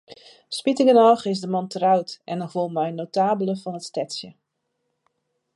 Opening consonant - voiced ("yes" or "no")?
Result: no